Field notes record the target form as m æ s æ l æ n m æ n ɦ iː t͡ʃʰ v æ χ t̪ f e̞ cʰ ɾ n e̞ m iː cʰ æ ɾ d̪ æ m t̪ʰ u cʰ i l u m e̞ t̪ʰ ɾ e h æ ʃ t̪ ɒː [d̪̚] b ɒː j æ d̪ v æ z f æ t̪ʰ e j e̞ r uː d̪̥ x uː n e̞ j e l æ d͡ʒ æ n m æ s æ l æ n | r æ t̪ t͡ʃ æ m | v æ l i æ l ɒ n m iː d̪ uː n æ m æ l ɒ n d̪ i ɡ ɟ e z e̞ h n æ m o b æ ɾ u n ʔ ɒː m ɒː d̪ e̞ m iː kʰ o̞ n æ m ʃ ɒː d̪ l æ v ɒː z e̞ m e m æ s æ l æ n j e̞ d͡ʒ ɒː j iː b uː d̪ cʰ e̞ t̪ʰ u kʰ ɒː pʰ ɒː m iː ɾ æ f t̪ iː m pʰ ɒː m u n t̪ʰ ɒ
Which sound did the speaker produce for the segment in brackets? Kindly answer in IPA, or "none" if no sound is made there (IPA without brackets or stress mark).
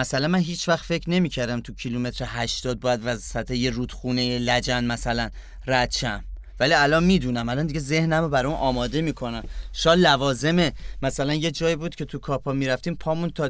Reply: d̪̚